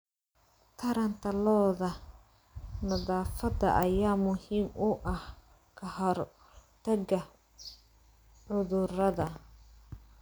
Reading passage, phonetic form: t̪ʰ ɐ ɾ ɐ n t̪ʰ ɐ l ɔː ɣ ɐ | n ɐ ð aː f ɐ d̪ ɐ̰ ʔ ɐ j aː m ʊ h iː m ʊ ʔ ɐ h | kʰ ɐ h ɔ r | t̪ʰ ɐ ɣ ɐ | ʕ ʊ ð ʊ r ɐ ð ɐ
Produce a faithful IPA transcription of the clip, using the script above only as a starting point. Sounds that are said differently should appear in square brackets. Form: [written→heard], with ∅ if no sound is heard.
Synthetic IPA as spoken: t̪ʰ ɐ ɾ ɐ n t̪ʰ ɐ l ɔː [ɣ→ð] ɐ | n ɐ ð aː f ɐ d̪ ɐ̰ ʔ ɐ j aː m ʊ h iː m ʊ ʔ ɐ h | kʰ ɐ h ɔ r | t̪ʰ ɐ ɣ ɐ | ʕ ʊ ð ʊ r ɐ ð ɐ